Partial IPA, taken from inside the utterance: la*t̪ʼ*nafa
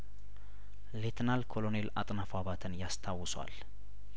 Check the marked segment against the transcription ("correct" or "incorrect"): correct